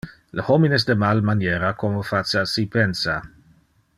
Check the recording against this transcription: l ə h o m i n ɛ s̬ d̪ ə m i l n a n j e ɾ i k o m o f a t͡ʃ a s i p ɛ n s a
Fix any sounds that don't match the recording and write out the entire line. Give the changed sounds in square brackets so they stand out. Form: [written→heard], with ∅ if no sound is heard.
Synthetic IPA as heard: l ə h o m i n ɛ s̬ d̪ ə m [i→a] l [n→m] a n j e ɾ [i→a] k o m o f a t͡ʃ a s i p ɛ n s a